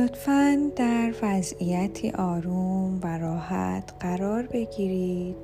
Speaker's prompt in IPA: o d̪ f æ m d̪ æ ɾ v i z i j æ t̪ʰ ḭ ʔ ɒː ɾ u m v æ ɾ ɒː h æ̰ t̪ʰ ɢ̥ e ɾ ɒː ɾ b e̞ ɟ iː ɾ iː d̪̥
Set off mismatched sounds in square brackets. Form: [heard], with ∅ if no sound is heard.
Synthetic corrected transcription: o [t̪] f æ [n] d̪ æ ɾ v [æ] z i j æ t̪ʰ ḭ ʔ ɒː ɾ u m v æ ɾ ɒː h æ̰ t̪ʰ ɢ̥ [æ] ɾ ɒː ɾ b e̞ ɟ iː ɾ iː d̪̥